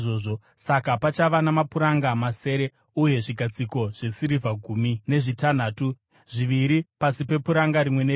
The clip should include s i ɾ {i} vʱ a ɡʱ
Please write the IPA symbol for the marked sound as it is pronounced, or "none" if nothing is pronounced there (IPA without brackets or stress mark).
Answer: i